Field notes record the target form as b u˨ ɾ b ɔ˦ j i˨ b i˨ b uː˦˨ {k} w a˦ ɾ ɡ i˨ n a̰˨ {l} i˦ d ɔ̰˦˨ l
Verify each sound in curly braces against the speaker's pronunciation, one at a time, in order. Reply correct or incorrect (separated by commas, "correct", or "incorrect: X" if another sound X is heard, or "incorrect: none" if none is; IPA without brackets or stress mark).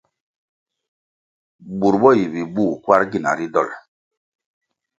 correct, incorrect: ɾ